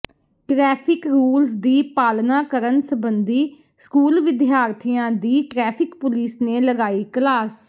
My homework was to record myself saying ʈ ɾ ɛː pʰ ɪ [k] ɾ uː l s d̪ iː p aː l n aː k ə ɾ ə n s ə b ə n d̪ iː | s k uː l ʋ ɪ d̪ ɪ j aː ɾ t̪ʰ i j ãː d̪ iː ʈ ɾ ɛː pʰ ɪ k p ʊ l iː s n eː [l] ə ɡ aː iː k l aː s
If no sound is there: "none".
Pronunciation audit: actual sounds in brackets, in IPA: k, l

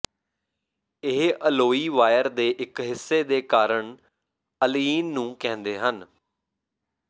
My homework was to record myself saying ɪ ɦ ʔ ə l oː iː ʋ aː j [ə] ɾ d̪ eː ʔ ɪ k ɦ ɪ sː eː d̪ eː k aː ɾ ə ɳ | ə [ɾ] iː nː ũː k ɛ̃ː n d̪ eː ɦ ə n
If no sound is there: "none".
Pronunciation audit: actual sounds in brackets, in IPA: ə, l

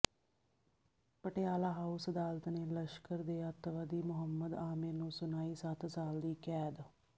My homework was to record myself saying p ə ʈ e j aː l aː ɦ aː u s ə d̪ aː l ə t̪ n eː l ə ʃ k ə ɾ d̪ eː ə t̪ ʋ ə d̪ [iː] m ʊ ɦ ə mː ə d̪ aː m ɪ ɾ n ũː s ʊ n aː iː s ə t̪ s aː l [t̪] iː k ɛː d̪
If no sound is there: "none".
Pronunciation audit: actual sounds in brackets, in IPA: iː, d̪

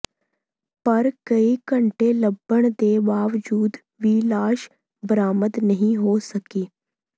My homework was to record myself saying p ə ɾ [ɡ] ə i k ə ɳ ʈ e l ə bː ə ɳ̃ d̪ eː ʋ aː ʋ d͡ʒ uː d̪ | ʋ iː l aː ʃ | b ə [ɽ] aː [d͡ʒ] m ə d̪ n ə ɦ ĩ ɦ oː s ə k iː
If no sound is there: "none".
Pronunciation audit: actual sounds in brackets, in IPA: k, ɾ, none

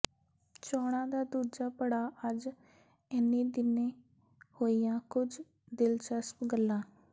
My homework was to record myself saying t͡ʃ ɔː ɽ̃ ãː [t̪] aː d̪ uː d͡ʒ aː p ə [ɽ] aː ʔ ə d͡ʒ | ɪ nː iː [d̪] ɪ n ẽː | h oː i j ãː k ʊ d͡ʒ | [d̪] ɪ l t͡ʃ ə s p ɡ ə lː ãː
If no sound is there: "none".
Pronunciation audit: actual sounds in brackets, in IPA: d̪, ɽ, d̪, d̪

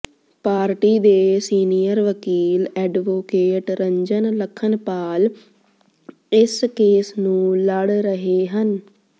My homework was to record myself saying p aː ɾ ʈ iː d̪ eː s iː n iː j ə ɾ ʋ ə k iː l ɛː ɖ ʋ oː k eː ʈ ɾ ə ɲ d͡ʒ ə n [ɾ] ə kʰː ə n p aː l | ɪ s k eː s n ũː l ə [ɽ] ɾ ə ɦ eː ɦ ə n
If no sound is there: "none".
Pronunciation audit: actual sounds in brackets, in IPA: l, ɽ

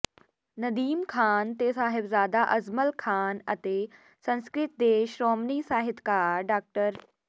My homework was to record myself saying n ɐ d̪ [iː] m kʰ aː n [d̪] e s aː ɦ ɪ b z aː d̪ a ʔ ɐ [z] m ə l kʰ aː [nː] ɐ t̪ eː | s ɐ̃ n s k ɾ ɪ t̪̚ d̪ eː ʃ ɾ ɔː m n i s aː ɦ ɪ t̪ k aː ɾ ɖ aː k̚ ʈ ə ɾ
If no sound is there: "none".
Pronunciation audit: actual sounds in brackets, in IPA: iː, t̪, z, n

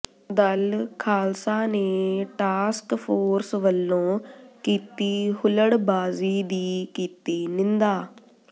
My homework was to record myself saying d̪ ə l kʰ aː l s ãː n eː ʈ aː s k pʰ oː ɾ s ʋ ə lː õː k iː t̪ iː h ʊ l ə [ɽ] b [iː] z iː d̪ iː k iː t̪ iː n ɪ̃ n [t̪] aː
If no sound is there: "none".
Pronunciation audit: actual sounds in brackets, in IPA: ɽ, aː, d̪

